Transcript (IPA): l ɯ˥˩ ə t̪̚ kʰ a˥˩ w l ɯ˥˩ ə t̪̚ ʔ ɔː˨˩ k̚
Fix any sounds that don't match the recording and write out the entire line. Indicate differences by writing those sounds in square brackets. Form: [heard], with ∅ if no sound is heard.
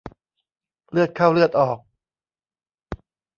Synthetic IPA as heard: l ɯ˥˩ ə t̪̚ kʰ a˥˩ w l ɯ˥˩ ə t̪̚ ʔ ɔː˨˩ k̚